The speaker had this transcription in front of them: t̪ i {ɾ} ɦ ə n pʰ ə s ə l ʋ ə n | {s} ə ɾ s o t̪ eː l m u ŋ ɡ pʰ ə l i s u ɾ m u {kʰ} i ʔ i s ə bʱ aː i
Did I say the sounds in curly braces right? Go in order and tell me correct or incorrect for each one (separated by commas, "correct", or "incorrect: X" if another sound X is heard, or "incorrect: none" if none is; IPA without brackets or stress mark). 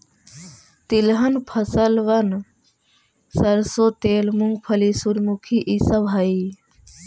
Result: incorrect: l, correct, correct